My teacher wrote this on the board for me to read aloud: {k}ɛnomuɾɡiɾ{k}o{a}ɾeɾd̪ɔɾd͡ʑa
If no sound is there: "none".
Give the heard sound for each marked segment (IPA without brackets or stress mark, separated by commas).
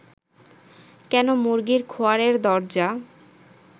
k, kʰ, a